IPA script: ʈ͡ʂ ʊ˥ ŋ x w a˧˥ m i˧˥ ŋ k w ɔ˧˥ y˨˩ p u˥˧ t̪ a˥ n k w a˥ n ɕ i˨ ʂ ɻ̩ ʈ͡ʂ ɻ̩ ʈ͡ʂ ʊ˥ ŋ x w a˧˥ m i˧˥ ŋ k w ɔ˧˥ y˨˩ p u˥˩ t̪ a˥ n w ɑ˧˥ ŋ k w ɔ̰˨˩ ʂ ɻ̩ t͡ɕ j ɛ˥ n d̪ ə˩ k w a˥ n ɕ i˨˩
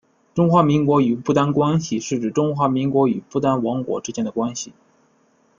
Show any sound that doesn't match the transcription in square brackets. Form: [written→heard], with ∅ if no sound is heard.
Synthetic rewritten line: ʈ͡ʂ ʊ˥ ŋ x w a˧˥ m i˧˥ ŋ k w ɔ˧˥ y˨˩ p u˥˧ t̪ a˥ n k w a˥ n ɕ i˨ ʂ ɻ̩ ʈ͡ʂ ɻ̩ ʈ͡ʂ ʊ˥ ŋ x w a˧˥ m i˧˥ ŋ k w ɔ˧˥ y˨˩ p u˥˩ t̪ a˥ n w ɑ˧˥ ŋ k w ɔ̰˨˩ [ʂ→ʈ͡ʂ] ɻ̩ t͡ɕ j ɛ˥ n d̪ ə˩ k w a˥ n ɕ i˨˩